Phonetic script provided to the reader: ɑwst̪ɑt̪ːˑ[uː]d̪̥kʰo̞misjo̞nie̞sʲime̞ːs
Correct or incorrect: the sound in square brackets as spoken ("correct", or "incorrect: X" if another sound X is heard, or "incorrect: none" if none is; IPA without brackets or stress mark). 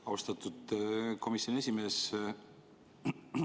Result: incorrect: u